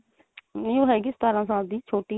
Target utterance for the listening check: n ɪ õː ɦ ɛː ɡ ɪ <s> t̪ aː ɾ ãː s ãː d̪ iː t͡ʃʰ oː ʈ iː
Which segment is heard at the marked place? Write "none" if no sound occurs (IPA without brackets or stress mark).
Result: s